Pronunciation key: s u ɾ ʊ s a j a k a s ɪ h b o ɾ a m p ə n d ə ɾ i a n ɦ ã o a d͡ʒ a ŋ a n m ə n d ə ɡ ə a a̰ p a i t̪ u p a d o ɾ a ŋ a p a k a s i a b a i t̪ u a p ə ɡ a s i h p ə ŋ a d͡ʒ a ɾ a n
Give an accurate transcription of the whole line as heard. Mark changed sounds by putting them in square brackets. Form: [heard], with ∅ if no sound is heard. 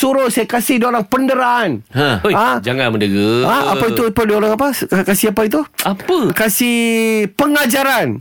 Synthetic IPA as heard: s u ɾ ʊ s a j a k a s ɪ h [d] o ɾ a [ŋ] p ə n d ə ɾ [a] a n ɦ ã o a d͡ʒ a ŋ a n m ə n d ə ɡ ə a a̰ p a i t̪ u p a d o ɾ a ŋ a p a k a s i a [p] a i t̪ u a p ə [k] a s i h p ə ŋ a d͡ʒ a ɾ a n